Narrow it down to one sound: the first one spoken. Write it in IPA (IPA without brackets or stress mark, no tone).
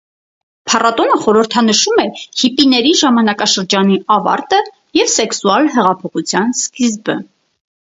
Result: pʰ